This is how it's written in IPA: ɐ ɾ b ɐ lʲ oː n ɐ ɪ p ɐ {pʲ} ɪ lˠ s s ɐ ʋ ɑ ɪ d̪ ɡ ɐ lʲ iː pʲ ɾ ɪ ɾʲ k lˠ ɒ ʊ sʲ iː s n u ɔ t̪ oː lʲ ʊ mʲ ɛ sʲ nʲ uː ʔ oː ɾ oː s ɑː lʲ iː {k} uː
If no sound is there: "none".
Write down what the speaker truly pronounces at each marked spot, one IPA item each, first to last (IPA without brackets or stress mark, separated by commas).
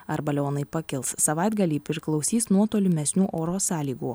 kʲ, ɡ